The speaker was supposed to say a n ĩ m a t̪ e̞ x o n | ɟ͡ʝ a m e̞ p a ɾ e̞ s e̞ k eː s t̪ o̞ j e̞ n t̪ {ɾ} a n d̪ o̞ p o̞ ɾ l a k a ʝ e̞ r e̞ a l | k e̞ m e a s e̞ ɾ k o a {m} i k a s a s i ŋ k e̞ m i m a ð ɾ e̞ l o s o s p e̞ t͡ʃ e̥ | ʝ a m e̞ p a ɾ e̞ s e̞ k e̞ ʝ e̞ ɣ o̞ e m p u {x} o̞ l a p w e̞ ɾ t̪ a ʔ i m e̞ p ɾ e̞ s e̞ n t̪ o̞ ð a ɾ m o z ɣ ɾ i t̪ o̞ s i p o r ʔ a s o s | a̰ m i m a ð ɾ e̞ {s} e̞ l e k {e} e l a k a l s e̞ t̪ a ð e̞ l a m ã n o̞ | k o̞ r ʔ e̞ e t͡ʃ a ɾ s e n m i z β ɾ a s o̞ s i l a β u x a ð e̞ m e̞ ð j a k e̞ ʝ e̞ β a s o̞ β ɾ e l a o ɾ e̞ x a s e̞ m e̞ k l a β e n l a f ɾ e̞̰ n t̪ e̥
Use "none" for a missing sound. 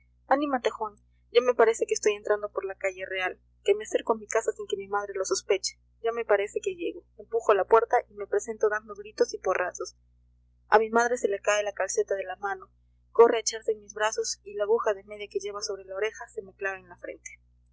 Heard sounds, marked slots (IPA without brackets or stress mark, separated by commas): ɾ, m, x, s, a